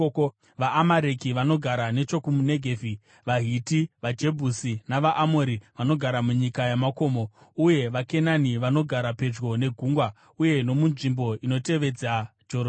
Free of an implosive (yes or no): yes